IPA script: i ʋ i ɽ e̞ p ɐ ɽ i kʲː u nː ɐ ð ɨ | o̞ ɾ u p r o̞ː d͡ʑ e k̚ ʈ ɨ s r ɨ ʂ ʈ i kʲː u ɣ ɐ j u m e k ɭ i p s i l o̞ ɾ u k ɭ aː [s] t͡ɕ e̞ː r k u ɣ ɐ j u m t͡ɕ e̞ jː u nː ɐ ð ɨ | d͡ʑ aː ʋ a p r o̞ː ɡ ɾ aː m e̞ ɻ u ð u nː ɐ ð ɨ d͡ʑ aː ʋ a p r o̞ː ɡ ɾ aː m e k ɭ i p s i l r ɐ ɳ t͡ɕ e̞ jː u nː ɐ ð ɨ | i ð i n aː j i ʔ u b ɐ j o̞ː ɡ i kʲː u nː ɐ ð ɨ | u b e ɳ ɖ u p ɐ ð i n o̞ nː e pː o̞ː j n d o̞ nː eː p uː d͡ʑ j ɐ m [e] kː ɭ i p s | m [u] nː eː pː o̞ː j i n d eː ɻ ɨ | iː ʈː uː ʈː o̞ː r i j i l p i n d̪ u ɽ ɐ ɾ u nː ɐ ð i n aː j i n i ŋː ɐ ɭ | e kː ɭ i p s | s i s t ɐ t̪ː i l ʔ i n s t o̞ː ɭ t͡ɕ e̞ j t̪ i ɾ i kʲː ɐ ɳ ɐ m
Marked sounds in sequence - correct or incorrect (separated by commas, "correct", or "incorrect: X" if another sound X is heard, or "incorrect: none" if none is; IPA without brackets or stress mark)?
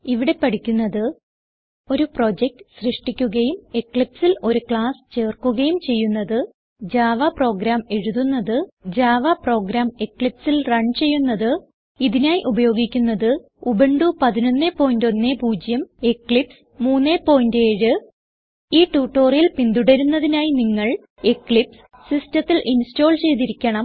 correct, correct, incorrect: uː